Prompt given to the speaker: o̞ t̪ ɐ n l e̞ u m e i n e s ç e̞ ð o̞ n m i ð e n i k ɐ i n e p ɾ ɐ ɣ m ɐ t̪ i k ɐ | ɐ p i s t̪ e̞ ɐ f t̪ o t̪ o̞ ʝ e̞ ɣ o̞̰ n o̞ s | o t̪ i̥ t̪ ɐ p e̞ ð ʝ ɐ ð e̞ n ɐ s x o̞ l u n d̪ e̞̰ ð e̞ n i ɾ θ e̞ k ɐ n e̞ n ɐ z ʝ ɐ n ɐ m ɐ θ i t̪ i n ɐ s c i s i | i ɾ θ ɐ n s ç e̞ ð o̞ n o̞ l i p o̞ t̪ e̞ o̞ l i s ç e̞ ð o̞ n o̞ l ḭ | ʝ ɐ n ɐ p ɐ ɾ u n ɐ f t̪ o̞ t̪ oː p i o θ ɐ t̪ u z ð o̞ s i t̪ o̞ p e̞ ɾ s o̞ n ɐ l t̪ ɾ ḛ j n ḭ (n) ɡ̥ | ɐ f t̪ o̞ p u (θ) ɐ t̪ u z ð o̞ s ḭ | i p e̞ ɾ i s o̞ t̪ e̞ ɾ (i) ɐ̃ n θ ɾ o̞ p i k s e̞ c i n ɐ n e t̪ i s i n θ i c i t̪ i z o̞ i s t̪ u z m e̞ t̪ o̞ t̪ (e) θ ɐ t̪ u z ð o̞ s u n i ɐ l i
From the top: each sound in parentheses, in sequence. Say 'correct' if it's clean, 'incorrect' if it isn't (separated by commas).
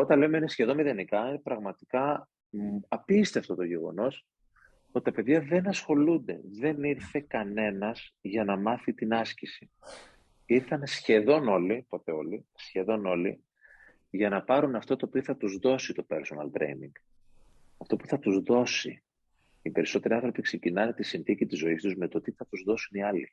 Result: incorrect, correct, correct, incorrect